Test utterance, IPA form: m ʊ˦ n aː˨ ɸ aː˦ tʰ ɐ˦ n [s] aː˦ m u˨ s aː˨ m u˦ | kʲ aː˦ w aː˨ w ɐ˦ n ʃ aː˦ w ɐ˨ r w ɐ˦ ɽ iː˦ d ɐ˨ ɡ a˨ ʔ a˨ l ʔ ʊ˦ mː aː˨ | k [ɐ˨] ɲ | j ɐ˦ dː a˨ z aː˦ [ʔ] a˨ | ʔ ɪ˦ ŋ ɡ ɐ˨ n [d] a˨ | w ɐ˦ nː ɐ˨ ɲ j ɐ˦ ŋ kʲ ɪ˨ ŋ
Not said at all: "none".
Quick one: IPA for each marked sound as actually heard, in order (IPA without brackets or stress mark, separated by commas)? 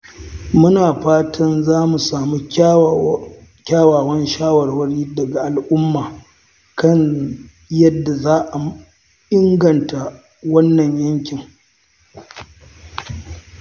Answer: z, ɐ˦, ʔ, t